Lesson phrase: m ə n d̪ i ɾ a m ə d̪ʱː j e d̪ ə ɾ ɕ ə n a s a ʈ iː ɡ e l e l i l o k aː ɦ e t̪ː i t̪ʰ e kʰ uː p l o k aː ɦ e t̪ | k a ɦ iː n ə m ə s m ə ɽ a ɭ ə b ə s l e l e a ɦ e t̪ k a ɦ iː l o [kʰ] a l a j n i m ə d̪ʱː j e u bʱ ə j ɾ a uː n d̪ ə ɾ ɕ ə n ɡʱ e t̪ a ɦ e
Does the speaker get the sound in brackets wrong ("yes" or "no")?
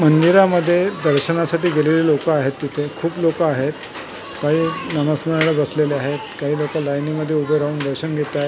yes